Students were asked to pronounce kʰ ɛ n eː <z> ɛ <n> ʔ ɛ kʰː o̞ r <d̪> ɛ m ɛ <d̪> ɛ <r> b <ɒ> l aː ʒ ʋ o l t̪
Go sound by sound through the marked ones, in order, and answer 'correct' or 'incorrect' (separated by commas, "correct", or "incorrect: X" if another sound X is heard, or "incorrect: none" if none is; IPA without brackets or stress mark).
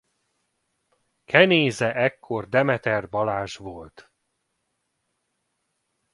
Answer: correct, incorrect: none, correct, incorrect: t̪, correct, correct